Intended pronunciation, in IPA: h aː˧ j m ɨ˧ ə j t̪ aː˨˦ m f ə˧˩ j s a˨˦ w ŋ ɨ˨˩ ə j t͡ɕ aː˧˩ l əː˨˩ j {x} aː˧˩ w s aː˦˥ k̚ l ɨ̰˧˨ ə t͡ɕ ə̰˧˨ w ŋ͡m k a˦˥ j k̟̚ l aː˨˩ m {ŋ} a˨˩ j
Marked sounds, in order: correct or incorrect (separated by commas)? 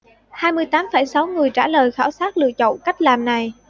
correct, incorrect